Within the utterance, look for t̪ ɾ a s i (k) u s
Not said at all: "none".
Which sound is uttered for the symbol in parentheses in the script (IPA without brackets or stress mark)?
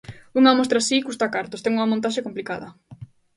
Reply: k